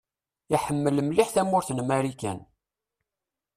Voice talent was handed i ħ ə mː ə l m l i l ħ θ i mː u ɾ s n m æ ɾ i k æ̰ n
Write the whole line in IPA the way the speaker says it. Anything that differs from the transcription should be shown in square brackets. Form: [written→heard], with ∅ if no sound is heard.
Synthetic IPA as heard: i ħ ə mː ə l m l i [l→∅] ħ θ [i→æ] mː [u→ʊ] ɾ [s→θ] n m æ ɾ i k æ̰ n